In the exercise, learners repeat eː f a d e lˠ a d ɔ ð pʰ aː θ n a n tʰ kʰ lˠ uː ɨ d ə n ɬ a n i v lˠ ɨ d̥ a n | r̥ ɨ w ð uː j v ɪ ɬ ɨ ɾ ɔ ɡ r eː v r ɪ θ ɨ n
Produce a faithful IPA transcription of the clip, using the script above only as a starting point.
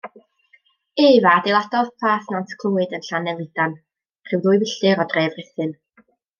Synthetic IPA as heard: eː v a d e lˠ a d ɔ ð pʰ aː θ n a n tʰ kʰ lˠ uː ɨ d ə n ɬ a n ɛ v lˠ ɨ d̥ a n | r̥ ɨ w ð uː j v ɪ ɬ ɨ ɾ ɔ d r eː v r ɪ θ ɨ n